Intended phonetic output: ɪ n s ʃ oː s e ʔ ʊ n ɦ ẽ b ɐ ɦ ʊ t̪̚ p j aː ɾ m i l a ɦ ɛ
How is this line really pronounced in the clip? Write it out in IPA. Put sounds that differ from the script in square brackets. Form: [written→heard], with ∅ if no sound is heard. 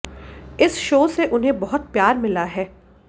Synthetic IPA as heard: ɪ [n→∅] s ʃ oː s e ʔ ʊ n ɦ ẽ b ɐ ɦ ʊ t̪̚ p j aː ɾ m [i→ɪ] l a ɦ [ɛ→ɛː]